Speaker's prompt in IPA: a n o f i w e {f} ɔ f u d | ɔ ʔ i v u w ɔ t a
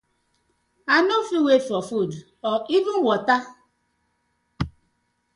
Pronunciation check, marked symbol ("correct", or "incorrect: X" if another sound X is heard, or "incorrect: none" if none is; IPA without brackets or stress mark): correct